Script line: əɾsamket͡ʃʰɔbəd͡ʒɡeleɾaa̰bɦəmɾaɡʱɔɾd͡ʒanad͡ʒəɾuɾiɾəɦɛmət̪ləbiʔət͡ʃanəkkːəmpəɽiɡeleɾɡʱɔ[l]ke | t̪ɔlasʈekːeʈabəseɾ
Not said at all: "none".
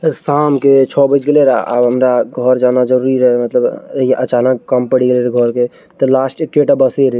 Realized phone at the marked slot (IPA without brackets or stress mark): ɾ